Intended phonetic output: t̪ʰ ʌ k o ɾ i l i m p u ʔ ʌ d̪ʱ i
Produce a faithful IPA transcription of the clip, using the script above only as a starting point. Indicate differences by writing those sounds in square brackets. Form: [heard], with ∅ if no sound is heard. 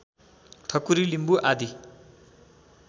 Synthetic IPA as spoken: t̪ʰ ʌ k [u] ɾ i l i m [b] u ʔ [a] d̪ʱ i

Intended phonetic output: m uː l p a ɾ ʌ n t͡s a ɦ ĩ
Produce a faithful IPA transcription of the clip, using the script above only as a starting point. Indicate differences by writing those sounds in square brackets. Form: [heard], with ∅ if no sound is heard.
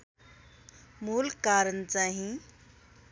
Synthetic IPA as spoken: m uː l [k] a ɾ [ə] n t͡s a ɦ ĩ

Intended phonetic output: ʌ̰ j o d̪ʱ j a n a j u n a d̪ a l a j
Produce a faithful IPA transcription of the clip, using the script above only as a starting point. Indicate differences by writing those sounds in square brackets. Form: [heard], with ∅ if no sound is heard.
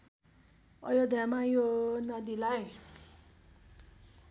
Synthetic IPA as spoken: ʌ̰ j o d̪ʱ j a [m] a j [o] n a d̪ [i] l a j

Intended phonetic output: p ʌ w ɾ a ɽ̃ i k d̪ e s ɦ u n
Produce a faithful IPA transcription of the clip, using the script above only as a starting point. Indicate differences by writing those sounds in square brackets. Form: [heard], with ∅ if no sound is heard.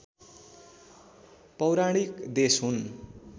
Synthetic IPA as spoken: p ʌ w ɾ a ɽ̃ i k d̪ e s ɦ u n

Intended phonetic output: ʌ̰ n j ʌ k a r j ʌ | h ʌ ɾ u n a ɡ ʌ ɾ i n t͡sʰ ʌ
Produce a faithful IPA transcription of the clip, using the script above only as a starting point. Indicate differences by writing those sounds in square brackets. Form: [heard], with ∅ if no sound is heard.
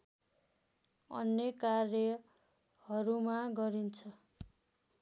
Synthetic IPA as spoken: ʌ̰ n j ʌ k a r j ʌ | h ʌ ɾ u [m] a ɡ ʌ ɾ i n t͡sʰ ʌ

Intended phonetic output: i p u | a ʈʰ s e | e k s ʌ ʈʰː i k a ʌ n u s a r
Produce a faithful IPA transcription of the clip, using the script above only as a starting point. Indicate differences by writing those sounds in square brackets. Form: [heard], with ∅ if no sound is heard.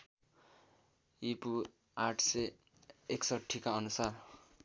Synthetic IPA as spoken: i p u | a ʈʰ s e | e k s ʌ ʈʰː i k a ʌ n u s a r

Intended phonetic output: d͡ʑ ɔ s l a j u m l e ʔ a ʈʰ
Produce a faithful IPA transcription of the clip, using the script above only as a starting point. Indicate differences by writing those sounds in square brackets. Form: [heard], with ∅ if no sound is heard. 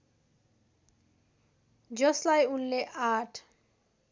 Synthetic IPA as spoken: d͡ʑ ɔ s l a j u [n] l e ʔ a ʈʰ

